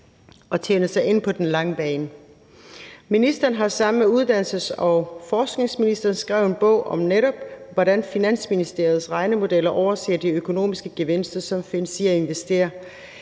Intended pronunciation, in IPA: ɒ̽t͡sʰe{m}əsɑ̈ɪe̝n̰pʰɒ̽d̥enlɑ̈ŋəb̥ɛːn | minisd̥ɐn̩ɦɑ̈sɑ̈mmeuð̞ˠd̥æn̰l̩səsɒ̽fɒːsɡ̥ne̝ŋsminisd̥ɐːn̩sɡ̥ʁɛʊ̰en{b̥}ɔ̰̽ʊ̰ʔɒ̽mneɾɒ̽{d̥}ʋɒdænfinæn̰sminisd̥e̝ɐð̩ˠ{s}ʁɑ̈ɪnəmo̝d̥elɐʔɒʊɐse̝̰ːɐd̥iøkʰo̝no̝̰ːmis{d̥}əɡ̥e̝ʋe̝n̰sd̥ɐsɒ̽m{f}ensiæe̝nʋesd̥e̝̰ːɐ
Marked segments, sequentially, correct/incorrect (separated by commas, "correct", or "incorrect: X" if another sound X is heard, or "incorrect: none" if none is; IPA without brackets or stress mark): incorrect: n, correct, incorrect: b̥, correct, incorrect: ɡ̥, correct